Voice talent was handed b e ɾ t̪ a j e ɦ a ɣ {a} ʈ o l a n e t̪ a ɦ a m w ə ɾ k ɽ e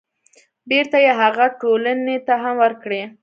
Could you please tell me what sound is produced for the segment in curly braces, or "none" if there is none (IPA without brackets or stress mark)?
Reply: a